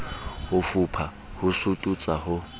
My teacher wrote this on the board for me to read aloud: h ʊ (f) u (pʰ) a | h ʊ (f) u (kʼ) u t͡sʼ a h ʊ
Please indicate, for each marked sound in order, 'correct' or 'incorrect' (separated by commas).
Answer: correct, correct, incorrect, incorrect